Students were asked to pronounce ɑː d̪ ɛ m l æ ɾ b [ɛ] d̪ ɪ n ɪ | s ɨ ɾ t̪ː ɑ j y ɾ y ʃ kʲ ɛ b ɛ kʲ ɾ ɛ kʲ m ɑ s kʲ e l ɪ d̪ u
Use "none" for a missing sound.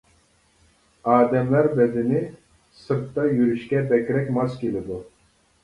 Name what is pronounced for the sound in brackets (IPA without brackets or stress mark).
ɛ